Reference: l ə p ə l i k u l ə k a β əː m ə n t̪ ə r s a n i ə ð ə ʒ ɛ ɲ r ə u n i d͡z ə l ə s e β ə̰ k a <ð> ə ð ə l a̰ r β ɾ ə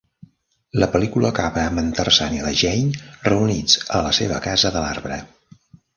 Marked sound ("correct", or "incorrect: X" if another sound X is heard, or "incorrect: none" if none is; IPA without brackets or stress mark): incorrect: z